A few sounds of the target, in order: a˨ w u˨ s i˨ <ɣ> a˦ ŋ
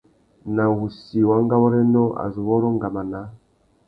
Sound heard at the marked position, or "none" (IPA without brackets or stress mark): w